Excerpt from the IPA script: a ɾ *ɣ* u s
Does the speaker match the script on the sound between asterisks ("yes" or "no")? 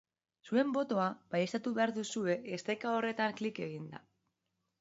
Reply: no